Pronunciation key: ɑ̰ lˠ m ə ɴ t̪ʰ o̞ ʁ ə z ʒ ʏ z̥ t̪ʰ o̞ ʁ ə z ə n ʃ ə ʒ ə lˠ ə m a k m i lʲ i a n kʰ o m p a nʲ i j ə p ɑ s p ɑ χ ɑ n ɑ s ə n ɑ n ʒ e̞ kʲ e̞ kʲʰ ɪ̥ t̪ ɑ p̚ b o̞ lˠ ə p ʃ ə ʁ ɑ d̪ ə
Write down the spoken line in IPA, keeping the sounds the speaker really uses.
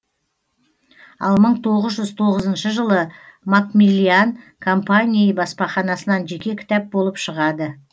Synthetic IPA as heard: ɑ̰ lˠ m ə ɴ t̪ʰ o̞ ʁ ə z ʒ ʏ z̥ t̪ʰ o̞ ʁ ə z ə n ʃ ə ʒ ə lˠ ə m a k m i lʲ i a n kʰ o m p a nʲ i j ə b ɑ s p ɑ χ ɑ n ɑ s ə n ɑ n ʒ e̞ kʲ e̞ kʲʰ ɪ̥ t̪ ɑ p̚ b o̞ lˠ ə p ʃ ə ʁ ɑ d̪ ə